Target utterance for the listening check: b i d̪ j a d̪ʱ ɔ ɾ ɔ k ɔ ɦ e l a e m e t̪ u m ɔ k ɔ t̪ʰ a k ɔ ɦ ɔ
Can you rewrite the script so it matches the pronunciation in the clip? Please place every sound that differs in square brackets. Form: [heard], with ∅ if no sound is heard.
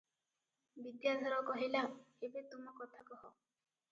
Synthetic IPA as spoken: b i d̪ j a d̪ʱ ɔ ɾ ɔ k ɔ ɦ [i] l a e [b] e t̪ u m ɔ k ɔ t̪ʰ a k ɔ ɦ ɔ